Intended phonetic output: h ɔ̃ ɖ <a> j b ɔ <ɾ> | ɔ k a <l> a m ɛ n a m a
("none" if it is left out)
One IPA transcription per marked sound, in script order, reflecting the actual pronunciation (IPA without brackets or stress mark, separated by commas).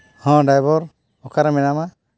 a, ɾ, ɾ